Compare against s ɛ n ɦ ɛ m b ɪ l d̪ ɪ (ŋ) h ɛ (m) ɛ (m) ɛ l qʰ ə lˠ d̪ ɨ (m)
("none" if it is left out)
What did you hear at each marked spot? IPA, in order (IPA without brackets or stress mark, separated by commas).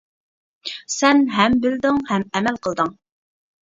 ŋ, m, m, ŋ